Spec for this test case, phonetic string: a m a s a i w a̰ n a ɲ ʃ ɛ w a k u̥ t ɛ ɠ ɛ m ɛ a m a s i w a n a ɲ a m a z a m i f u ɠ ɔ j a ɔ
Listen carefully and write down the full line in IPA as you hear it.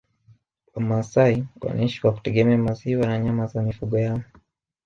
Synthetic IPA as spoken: a m a s a i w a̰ n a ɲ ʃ i w a k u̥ t ɛ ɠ ɛ m ɛ a m a z i w a n a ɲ a m a z a m i f u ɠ ɔ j a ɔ

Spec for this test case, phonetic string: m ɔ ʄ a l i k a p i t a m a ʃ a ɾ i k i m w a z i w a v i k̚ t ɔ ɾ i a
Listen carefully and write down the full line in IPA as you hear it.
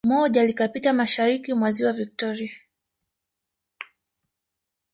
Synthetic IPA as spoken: m ɔ ʄ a l i k a p i t a m a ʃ a ɾ i k i m w a z i w a v i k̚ t ɔ ɾ i a

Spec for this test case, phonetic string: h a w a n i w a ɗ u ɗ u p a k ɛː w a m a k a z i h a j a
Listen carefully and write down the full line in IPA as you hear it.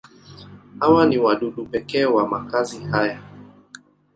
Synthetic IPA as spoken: h a w a n i w a ɗ u ɗ u p ɛ k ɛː w a m a k a z i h a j a

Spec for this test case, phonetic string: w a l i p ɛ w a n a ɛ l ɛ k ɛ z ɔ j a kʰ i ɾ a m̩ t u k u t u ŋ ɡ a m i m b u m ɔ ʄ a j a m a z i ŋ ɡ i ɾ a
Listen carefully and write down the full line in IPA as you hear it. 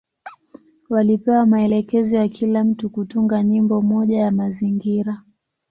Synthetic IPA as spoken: w a l i p ɛ w a m a ɛ l ɛ k ɛ z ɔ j a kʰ i l a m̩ t u k u t u ŋ ɡ a ɲ i m b ɔ m ɔ ʄ a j a m a z i ŋ ɡ i ɾ a

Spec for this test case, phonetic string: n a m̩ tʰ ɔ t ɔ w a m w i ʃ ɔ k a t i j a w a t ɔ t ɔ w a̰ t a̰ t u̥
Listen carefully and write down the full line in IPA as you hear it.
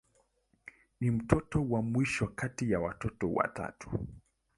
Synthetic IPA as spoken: n i m̩ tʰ ɔ t ɔ w a m w i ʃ ɔ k a t i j a w a t ɔ t ɔ w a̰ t a̰ t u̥

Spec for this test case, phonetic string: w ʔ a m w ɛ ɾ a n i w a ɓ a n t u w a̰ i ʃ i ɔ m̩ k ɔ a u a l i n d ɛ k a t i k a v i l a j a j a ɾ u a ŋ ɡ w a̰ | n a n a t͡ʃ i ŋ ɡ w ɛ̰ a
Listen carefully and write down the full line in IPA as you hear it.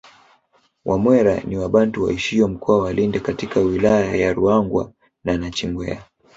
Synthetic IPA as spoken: w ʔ a m w ɛ ɾ a n i w a ɓ a n t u w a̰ i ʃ i ɔ m̩ k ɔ a w a l i n d ɛ k a t i k a w i l a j a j a ɾ u a ŋ ɡ w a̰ | n a n a t͡ʃ i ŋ ɡ w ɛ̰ a

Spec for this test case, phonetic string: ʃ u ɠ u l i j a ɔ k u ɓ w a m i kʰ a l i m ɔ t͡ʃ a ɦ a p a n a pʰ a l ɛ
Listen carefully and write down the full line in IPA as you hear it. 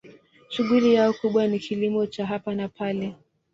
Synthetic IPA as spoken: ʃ u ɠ u l i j a ɔ k u ɓ w a n i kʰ i l i m ɔ t͡ʃ a ɦ a p a n a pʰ a l ɛ

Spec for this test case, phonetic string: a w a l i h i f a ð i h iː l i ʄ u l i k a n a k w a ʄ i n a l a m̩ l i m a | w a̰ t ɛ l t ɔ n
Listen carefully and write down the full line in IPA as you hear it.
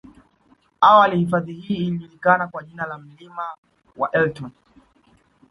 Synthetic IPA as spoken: a w a l i h i f a ð i h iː l i ʄ u l i k a n a k w a ʄ i n a l a m̩ l i m a | w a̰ ʔ ɛ l t ɔ n

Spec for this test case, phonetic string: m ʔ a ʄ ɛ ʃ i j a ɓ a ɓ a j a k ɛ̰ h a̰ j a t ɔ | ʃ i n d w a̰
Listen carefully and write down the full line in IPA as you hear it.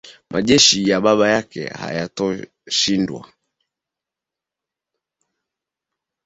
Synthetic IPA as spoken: m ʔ a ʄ ɛ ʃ i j a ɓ a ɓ a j a k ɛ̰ h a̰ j a t ɔ | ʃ i n d w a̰

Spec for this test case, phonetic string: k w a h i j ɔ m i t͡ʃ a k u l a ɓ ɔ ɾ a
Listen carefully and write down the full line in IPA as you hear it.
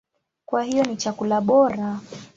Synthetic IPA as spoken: k w a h i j ɔ n i t͡ʃ a k u l a ɓ ɔ ɾ a

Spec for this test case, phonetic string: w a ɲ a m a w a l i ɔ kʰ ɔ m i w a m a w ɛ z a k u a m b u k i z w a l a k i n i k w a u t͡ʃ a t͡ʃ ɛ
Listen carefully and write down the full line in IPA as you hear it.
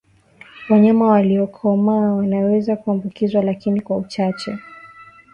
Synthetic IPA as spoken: w a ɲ a m a w a l i ɔ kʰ ɔ m a w a n a w ɛ z a k u a m b u k i z w a l a k i n i k w a u t͡ʃ a t͡ʃ ɛ

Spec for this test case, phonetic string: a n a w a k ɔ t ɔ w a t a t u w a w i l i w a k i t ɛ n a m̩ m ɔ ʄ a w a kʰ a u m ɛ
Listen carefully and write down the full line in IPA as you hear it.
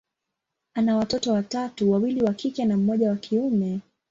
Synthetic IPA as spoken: a n a w a t ɔ t ɔ w a t a t u w a w i l i w a k i k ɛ n a m̩ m ɔ ʄ a w a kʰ i u m ɛ

